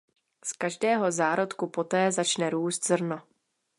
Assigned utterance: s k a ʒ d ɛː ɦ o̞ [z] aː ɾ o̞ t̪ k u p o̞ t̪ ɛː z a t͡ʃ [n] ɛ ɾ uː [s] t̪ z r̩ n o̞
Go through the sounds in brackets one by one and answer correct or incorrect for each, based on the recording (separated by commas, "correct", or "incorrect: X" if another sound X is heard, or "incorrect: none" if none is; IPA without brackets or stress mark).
correct, correct, correct